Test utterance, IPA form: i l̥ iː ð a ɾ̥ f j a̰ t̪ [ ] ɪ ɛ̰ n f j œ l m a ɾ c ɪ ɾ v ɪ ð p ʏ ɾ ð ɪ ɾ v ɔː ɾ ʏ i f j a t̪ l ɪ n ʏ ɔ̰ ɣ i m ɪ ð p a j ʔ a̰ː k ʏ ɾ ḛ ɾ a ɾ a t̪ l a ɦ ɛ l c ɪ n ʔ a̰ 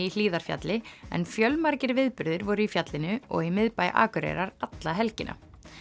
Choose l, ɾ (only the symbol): l